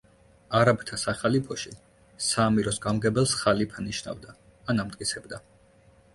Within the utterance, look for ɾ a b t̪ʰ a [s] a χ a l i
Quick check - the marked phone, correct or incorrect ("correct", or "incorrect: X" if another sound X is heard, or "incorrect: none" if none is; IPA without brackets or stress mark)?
correct